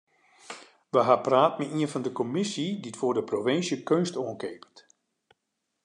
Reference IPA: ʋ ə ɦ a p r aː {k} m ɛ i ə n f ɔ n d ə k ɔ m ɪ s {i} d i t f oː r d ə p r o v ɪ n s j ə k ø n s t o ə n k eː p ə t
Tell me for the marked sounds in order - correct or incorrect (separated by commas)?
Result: incorrect, correct